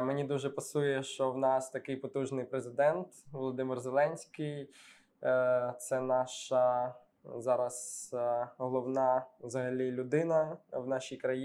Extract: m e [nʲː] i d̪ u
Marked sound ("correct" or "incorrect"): incorrect